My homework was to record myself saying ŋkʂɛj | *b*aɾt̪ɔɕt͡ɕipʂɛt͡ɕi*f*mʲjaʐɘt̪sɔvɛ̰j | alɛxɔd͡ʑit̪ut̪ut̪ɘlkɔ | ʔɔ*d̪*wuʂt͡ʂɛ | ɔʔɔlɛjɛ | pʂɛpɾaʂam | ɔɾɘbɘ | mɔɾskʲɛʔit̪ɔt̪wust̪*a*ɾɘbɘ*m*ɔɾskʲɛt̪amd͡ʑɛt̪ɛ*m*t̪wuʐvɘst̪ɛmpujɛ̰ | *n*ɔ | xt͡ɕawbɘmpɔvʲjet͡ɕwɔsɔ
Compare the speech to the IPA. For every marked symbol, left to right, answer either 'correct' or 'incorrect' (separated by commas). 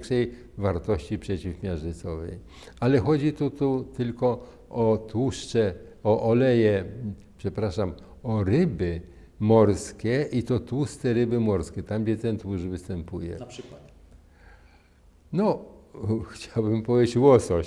incorrect, correct, incorrect, incorrect, correct, incorrect, correct